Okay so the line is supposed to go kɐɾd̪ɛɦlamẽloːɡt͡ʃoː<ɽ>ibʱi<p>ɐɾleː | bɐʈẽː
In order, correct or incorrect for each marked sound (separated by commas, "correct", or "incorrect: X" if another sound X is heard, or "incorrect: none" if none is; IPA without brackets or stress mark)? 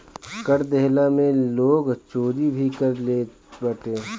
incorrect: ɾ, incorrect: k